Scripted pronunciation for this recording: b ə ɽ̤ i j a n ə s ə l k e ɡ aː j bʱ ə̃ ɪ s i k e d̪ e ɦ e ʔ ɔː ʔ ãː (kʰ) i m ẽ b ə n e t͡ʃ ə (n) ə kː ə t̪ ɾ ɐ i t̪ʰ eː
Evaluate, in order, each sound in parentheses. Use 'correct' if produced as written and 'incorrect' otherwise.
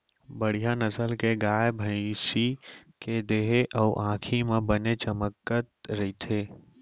correct, incorrect: m

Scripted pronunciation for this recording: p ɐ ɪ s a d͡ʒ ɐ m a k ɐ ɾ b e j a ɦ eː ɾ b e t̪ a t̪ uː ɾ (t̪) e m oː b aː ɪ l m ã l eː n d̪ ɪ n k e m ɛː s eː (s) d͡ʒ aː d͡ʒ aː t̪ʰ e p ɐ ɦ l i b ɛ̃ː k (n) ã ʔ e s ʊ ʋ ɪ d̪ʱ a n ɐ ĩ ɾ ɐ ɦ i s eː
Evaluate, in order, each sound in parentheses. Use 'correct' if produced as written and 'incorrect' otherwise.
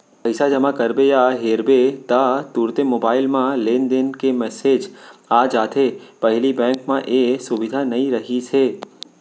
correct, incorrect: none, incorrect: m

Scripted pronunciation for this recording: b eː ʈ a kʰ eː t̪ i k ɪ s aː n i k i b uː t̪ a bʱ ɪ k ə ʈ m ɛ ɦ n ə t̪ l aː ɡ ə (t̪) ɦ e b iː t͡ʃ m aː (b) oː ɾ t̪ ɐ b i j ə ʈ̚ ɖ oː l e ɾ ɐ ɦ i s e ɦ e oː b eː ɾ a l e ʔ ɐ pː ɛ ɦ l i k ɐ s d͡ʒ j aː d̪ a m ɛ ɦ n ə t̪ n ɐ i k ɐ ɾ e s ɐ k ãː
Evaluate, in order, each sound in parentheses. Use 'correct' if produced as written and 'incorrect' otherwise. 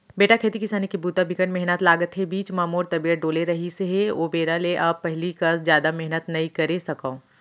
correct, incorrect: m

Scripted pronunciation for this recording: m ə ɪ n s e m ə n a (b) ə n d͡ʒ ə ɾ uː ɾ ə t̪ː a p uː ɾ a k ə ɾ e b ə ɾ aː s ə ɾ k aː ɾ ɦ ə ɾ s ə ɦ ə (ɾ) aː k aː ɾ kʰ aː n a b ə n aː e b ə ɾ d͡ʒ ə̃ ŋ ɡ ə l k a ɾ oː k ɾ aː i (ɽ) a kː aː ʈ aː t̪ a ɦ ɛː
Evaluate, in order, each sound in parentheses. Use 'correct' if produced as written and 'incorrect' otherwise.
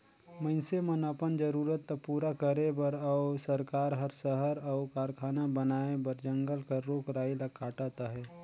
incorrect: p, correct, incorrect: l

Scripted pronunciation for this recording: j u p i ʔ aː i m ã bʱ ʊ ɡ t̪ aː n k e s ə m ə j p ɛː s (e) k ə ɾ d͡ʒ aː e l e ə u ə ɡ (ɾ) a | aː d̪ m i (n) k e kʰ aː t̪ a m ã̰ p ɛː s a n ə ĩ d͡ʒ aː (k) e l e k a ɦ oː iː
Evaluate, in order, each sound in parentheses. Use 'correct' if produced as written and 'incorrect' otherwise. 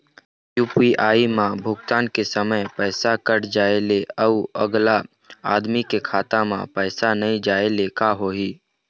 incorrect: a, incorrect: l, incorrect: none, incorrect: none

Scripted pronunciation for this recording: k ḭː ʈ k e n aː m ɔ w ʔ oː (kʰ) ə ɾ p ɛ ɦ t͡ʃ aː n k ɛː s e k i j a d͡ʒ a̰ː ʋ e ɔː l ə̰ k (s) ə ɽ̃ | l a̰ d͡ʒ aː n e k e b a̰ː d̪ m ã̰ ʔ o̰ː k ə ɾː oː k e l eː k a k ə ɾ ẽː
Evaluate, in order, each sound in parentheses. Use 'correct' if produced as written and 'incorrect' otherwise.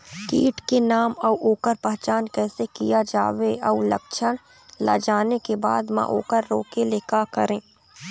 incorrect: k, incorrect: ʃ

